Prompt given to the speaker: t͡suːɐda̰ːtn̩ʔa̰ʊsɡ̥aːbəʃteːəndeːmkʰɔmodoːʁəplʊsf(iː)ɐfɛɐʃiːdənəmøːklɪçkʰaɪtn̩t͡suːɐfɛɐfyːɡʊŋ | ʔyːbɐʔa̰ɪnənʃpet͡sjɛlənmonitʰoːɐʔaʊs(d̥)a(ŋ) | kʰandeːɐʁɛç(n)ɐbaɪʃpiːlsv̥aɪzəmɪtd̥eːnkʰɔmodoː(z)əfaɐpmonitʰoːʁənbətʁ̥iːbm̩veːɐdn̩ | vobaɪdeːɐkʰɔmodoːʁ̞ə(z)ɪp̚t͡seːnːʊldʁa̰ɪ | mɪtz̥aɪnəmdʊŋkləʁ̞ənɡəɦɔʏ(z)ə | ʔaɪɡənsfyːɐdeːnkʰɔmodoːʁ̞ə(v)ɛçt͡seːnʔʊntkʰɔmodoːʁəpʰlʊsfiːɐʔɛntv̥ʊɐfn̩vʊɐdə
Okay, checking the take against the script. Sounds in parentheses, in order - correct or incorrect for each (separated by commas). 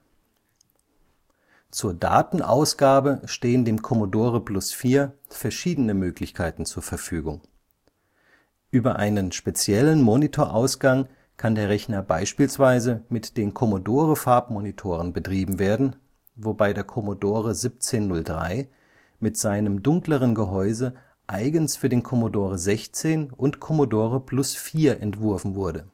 correct, incorrect, correct, correct, incorrect, correct, correct, incorrect